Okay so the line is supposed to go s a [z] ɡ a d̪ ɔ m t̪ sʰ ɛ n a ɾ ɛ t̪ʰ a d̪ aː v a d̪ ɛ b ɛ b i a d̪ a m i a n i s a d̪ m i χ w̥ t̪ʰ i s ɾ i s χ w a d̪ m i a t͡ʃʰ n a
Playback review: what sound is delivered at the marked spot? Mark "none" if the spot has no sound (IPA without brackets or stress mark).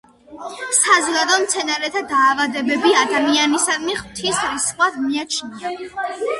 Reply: z